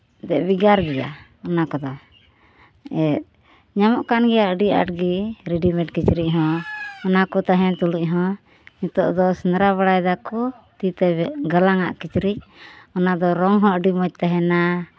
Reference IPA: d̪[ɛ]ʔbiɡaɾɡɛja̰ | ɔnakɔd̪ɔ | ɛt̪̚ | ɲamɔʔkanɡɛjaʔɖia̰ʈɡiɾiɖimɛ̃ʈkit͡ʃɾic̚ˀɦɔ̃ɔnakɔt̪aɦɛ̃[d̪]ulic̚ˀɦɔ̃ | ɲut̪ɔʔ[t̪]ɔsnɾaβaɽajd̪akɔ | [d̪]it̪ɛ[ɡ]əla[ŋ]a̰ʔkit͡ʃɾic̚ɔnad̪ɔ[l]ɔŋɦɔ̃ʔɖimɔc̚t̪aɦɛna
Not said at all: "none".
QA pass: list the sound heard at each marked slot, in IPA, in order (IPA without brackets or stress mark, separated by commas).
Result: ɛ, t̪, d̪, t̪, ɡ, ŋ, ɾ